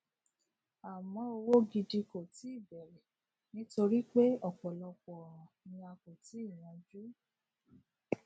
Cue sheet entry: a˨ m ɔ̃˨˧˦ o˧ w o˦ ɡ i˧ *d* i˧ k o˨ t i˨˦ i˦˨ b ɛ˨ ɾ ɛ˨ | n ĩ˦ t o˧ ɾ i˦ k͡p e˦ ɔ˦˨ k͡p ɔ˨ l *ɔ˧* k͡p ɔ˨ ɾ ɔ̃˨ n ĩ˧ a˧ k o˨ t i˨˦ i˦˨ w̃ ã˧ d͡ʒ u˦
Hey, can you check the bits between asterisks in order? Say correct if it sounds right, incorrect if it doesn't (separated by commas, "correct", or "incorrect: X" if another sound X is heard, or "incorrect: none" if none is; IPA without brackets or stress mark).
correct, correct